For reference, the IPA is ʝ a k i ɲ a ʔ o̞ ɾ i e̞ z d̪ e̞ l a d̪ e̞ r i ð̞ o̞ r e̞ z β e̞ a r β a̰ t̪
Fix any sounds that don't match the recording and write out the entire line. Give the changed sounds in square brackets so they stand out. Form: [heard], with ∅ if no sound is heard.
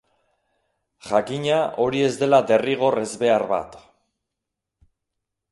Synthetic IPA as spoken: ʝ a k i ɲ a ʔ o̞ ɾ i e̞ z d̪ e̞ l a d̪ e̞ r i [ɣ̞] o̞ r e̞ z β e̞ a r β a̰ t̪